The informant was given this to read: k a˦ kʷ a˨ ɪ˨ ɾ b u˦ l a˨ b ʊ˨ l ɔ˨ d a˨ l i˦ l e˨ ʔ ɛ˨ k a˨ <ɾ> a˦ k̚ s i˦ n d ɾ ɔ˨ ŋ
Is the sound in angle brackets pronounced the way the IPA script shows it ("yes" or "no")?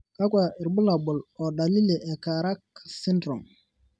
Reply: yes